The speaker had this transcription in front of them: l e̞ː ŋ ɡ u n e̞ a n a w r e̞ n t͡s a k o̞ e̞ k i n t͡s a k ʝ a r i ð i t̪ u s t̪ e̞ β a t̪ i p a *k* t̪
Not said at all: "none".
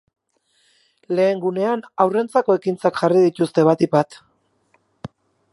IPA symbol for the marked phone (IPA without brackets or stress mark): none